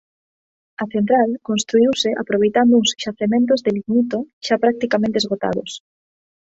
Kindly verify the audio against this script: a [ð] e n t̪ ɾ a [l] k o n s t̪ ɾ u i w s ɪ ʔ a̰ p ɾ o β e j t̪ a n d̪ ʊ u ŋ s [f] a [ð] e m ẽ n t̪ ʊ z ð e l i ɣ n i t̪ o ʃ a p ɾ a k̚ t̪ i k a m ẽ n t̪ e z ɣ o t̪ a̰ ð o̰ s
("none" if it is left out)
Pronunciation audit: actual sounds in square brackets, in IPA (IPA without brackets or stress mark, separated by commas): θ, l, ʃ, θ